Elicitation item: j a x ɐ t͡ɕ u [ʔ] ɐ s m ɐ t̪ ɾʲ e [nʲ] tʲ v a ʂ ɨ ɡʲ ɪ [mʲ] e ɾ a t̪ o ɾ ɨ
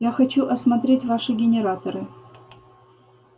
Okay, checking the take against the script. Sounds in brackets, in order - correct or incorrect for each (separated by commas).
correct, incorrect, incorrect